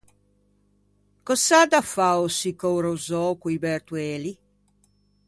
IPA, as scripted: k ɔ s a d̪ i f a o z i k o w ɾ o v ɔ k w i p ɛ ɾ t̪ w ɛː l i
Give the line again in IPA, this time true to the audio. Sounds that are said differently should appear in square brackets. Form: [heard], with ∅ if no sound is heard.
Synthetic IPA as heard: k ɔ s a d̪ [a] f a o [s] i k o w ɾ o [z] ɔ k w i [b] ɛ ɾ t̪ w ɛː l i

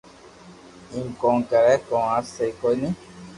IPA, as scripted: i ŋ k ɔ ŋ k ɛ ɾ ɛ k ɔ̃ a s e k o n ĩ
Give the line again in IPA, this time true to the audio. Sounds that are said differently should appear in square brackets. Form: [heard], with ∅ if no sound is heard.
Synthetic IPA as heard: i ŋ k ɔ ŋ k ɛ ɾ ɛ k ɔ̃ a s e k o n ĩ

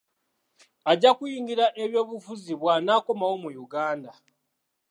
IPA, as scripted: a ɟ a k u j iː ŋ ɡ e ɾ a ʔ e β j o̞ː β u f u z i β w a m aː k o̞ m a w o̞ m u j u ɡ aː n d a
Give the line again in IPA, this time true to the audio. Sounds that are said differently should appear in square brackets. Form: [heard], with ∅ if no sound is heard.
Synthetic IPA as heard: a ɟ a k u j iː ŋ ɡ [i] ɾ a ʔ e β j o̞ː β u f u z i β w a [n] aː k o̞ m a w o̞ m u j u ɡ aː n d a

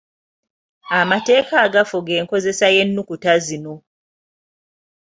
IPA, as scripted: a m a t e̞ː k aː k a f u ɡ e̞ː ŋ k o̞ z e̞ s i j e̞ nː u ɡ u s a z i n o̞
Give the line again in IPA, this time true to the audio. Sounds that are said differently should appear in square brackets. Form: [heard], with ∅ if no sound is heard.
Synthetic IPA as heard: a m a t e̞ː k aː [ɡ] a f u ɡ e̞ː ŋ k o̞ z e̞ s [a] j e̞ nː u [k] u [t] a z i n o̞

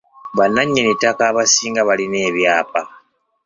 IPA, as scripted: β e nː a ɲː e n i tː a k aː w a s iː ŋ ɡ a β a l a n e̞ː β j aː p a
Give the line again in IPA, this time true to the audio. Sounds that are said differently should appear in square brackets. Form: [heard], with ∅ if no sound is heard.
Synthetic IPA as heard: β [a] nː a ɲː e n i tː a k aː [β] a s iː ŋ ɡ a β a l [i] n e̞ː β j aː p a

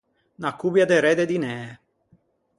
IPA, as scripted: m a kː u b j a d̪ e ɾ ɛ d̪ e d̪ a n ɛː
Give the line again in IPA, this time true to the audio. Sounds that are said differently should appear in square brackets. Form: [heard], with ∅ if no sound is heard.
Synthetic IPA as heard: [n] a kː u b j a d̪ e ɾ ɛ d̪ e d̪ [i] n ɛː

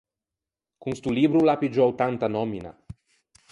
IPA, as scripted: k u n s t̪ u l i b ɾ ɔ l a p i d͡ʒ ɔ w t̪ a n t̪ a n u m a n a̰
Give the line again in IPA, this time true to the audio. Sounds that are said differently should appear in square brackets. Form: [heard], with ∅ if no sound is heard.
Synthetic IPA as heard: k u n s t̪ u l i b ɾ [u] l a p i d͡ʒ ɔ w t̪ a n t̪ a n [ɔ] m [i] n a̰

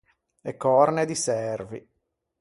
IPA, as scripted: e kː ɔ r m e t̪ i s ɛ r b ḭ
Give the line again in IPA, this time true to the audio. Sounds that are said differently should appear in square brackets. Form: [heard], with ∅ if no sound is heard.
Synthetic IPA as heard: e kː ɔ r [n] e [d̪] i s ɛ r [v] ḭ

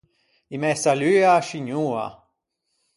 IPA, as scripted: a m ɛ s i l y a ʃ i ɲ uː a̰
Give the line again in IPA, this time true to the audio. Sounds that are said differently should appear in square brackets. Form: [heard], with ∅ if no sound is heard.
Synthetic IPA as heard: [i] m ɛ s [a] l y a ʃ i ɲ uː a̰

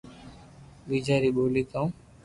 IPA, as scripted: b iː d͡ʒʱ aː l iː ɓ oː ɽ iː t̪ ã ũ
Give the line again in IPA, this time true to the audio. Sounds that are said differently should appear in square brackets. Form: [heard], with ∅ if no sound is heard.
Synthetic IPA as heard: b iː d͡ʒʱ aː [ɾ] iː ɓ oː [l] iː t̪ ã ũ

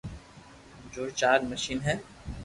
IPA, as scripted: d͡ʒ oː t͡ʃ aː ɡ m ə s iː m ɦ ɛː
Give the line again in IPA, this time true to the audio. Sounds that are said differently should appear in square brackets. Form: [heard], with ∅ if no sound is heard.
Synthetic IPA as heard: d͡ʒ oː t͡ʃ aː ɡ m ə [ʃ] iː [n] ɦ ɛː

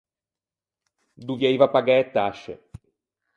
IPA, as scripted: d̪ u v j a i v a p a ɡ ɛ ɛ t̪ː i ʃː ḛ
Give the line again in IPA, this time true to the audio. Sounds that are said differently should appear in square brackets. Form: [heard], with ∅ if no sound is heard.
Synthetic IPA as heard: d̪ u v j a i v a p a ɡ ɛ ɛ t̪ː [a] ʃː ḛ

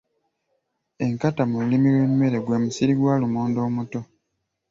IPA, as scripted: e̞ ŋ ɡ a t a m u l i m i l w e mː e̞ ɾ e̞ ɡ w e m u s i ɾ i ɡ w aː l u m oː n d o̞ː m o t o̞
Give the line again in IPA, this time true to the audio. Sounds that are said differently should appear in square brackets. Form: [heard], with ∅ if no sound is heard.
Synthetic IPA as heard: e̞ ŋ [k] a t a m u l i m i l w e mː e̞ ɾ e̞ ɡ w e m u s i ɾ i ɡ w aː l u m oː n d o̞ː m [u] t o̞

